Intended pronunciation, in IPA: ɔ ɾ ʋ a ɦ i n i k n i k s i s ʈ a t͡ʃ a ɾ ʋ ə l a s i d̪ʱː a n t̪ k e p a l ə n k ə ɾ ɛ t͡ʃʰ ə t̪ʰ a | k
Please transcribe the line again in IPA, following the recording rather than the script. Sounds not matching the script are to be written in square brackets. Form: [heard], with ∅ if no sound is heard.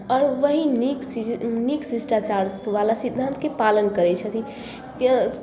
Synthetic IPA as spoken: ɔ ɾ ʋ [ə] ɦ i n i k n i k s i s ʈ a t͡ʃ a ɾ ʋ [a] l a s i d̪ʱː a n t̪ k e p a l ə n k ə ɾ ɛ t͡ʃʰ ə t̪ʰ [i] | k